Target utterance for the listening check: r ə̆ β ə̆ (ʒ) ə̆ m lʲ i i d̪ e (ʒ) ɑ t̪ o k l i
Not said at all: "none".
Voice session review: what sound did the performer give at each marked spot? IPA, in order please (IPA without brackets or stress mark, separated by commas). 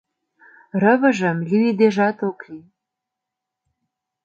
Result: ʒ, ʒ